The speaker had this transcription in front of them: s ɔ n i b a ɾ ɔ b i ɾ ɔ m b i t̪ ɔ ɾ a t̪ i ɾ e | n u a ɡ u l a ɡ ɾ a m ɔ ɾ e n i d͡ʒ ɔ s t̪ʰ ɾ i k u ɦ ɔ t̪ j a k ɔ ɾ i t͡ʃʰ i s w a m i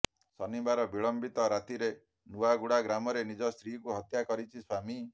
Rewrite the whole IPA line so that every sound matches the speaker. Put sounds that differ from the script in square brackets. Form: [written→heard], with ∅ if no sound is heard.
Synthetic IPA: s ɔ n i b a ɾ ɔ b i [ɾ→ɭ] ɔ m b i t̪ ɔ ɾ a t̪ i ɾ e | n u a ɡ u [l→ɽ] a ɡ ɾ a m ɔ ɾ e n i d͡ʒ ɔ s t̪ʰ ɾ i k u ɦ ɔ t̪ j a k ɔ ɾ i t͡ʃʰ i s w a m i